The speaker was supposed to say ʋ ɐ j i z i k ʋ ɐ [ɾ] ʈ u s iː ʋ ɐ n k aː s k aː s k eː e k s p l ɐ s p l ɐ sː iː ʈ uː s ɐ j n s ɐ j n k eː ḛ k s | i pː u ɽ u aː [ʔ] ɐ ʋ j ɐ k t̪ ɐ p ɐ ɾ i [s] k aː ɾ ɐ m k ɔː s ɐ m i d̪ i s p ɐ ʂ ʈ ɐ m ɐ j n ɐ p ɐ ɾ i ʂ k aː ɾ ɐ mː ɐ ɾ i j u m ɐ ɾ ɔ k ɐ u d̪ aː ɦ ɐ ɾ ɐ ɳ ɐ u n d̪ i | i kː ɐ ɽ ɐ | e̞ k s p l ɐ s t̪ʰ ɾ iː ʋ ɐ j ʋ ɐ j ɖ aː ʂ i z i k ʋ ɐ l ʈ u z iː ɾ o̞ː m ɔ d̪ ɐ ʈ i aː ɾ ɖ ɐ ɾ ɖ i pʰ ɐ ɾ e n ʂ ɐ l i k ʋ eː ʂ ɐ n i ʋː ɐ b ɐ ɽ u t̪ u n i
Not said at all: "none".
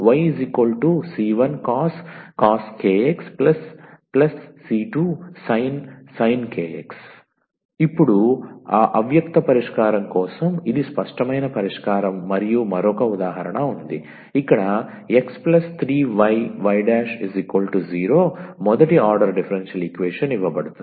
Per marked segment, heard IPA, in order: l, ʔ, ʂ

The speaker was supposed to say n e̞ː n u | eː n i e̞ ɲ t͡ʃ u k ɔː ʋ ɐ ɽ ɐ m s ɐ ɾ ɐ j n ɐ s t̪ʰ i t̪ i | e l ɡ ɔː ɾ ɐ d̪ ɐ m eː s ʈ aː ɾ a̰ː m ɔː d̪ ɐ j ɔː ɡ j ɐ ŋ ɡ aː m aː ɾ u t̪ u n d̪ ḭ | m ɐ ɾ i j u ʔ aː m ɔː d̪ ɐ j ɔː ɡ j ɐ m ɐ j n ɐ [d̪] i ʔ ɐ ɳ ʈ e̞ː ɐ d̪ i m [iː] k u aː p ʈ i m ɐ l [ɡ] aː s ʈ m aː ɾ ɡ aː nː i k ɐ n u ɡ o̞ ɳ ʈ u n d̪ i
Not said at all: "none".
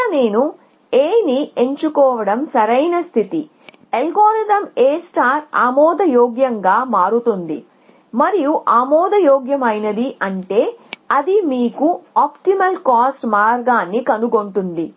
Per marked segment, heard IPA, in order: d̪, iː, k

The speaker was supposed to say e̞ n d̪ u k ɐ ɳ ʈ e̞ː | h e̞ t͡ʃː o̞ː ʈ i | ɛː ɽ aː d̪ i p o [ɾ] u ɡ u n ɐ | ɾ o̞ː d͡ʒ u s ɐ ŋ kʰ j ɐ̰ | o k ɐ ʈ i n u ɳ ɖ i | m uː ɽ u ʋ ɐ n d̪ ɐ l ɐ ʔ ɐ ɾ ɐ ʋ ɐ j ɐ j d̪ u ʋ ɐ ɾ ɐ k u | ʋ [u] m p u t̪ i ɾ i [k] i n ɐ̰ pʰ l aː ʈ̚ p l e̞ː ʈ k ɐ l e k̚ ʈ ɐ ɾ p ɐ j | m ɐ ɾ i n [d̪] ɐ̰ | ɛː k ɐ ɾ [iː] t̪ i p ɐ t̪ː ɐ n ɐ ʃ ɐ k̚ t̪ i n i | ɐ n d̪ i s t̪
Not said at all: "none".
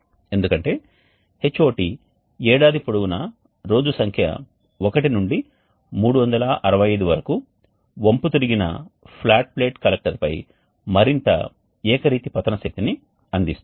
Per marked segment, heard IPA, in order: ɽ, o, ɡ, t̪, iː

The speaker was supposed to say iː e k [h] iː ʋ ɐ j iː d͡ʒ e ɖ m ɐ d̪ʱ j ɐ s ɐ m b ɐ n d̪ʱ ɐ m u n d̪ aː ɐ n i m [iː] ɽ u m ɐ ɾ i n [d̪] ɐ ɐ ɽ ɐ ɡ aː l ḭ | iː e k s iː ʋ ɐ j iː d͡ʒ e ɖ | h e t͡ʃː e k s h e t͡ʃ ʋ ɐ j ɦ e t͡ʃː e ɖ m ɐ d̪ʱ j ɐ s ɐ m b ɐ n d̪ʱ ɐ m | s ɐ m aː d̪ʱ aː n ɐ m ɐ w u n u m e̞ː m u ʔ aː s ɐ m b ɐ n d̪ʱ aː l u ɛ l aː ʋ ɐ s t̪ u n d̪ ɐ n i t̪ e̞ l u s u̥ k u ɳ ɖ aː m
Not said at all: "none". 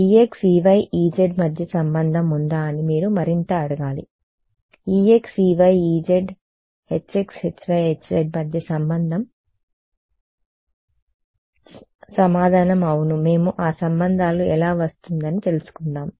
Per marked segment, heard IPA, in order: s, iː, t̪

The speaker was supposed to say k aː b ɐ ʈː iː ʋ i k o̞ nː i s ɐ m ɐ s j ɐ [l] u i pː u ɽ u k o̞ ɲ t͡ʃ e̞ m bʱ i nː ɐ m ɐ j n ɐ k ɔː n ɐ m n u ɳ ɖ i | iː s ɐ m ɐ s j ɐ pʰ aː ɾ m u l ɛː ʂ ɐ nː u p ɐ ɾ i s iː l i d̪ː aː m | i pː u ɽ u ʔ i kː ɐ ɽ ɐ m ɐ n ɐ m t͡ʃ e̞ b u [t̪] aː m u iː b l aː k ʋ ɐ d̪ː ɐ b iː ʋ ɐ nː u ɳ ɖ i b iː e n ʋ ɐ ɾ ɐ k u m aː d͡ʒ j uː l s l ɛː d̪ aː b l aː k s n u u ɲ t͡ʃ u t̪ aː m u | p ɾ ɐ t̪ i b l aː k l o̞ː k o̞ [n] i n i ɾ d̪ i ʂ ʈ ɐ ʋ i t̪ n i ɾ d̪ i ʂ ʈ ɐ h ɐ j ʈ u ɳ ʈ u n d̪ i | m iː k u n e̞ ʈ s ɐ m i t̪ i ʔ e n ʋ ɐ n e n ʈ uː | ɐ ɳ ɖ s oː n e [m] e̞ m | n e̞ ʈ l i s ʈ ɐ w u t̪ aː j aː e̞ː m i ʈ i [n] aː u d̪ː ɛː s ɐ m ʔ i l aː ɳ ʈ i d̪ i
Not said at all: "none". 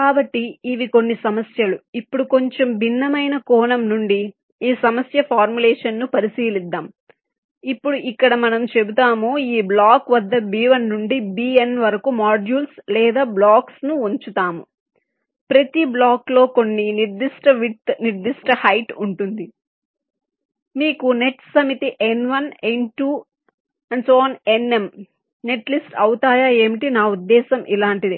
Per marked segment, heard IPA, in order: l, t̪, nː, n, n

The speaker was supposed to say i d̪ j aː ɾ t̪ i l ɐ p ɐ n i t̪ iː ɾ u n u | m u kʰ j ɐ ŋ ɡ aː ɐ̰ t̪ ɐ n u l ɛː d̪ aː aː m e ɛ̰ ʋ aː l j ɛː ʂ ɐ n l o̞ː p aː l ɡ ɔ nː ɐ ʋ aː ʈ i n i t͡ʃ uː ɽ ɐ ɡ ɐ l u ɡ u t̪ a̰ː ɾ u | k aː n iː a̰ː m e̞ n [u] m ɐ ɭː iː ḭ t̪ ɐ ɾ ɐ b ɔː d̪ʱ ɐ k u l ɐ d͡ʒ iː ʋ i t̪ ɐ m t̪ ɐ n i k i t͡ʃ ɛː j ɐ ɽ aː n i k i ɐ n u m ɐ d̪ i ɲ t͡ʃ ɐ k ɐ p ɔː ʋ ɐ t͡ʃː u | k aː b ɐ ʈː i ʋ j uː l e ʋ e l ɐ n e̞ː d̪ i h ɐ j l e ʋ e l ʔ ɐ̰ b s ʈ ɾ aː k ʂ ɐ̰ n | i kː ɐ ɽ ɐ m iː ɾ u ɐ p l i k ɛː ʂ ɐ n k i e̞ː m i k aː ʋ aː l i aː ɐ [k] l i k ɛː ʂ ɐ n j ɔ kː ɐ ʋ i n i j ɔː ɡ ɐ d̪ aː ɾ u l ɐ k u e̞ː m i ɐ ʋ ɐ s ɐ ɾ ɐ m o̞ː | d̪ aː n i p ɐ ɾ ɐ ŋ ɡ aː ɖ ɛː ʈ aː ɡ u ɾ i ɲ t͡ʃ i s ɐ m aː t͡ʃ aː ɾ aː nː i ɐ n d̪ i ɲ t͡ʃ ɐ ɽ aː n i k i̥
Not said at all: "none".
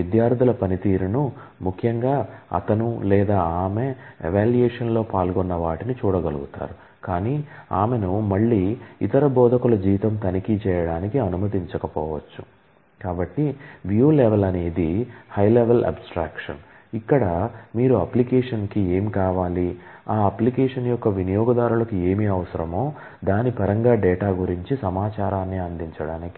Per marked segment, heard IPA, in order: u, p

